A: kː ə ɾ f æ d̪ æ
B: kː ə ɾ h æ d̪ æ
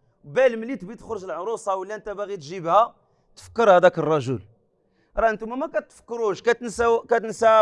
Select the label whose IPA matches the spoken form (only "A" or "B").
B